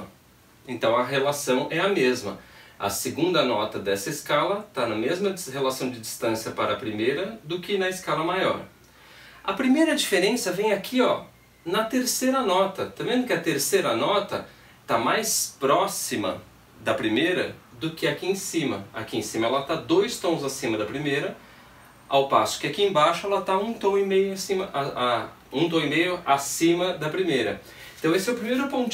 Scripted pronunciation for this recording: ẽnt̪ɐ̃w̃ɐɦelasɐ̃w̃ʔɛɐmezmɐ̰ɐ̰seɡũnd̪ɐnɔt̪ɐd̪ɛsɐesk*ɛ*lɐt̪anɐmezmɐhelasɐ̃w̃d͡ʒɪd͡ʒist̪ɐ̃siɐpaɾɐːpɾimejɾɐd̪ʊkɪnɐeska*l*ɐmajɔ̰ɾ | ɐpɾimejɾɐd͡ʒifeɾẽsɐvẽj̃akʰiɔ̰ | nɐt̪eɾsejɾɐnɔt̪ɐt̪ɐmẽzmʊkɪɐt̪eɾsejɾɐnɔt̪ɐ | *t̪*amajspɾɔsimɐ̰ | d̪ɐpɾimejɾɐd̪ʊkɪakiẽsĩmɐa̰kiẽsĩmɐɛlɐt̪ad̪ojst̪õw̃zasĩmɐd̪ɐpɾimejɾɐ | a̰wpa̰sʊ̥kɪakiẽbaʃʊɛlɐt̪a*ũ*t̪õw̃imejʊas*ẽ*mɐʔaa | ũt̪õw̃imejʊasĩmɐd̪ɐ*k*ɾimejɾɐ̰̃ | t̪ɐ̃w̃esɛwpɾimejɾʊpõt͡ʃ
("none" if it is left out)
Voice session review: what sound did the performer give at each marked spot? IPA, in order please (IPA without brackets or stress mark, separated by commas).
a, l, t̪, ũ, ĩ, p